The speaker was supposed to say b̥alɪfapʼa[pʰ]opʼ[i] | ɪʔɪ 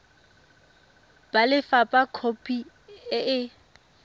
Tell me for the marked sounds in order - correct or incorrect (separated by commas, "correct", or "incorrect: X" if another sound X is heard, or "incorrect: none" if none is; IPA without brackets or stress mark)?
incorrect: kʰ, correct